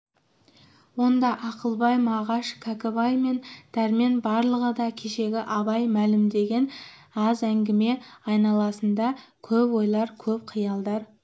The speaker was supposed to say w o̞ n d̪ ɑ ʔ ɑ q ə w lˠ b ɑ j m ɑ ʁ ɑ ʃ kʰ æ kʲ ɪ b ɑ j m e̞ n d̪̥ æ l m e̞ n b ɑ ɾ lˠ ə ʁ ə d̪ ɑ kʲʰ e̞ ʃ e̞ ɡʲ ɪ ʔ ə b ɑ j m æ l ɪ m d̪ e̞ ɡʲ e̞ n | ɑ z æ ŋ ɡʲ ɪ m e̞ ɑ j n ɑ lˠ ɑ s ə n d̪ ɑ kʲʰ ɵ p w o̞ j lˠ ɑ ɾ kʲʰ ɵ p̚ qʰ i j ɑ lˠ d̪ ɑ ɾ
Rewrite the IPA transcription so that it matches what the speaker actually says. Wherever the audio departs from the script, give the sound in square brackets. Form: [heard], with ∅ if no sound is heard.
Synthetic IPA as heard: w o̞ n d̪ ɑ ʔ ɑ q ə [∅] lˠ b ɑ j m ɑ ʁ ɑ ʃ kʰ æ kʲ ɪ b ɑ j m e̞ n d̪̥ æ [ɾ] m e̞ n b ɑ ɾ lˠ ə ʁ ə d̪ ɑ kʲʰ e̞ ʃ e̞ ɡʲ ɪ ʔ [ɑ] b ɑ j m æ l ɪ m d̪ e̞ ɡʲ e̞ n | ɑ z æ ŋ ɡʲ ɪ m e̞ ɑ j n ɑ lˠ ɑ s ə n d̪ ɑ kʲʰ ɵ p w o̞ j lˠ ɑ ɾ kʲʰ ɵ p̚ qʰ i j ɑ lˠ d̪ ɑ ɾ